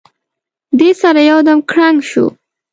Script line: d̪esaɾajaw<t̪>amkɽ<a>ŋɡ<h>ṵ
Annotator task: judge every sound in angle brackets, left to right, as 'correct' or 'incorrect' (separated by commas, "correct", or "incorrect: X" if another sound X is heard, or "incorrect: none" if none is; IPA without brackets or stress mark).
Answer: incorrect: d̪, correct, incorrect: ʃ